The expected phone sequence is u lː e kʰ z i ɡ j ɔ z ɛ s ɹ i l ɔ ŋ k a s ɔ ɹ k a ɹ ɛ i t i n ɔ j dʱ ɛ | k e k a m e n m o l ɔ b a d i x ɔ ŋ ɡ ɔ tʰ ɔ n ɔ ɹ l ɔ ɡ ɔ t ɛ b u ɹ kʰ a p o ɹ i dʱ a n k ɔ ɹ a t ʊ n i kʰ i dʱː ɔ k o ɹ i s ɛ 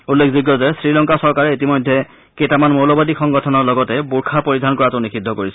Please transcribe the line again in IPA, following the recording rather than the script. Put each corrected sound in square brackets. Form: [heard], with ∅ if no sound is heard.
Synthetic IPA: u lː e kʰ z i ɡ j ɔ z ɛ s ɹ i l ɔ ŋ k a s ɔ ɹ k a ɹ ɛ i t i [m] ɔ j dʱ ɛ | k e [t] a m [a] n m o l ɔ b a d i x ɔ ŋ ɡ ɔ tʰ ɔ n ɔ ɹ l ɔ ɡ ɔ t ɛ b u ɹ kʰ a p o ɹ i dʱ a n k ɔ ɹ a t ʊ n i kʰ i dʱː ɔ k o ɹ i s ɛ